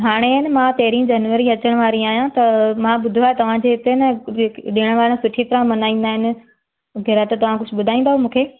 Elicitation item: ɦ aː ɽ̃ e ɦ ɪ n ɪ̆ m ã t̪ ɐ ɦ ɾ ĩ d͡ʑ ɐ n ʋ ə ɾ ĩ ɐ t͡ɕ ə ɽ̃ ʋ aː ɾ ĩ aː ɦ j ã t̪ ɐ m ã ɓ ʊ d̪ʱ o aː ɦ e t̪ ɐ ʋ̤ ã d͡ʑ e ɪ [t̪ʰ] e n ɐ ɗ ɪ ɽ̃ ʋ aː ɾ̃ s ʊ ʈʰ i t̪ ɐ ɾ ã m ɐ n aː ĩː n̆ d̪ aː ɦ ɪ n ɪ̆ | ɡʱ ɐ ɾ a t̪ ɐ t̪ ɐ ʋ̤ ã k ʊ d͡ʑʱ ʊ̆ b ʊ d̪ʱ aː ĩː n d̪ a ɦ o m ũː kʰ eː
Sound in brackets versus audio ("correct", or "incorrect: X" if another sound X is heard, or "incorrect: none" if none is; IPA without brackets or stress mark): incorrect: t̪